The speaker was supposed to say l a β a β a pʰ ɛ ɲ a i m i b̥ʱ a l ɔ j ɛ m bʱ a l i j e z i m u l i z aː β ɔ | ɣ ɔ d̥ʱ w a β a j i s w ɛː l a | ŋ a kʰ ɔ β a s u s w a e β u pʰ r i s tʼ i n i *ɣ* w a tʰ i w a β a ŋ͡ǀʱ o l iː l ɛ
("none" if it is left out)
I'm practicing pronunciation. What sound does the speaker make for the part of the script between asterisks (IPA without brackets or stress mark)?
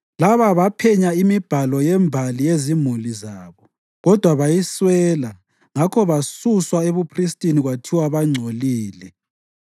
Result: ɣ